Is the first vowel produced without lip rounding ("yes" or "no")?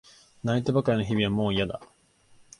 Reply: yes